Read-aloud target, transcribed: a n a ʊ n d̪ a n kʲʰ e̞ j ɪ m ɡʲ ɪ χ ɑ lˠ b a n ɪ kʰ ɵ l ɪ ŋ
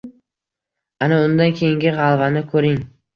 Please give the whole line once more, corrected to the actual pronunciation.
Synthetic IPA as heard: a n a ʊ n d̪ a n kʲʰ e̞ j ɪ ŋ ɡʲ ɪ ʁ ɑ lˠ v a n ɪ kʰ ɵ ɾ ɪ ŋ